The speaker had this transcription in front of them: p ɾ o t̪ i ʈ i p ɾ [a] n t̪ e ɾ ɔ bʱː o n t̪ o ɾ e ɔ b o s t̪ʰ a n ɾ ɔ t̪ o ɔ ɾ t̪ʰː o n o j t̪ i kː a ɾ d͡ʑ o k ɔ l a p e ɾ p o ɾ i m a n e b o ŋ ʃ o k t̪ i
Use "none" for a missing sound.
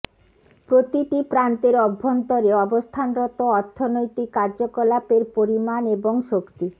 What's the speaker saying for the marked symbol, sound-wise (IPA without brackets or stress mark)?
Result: a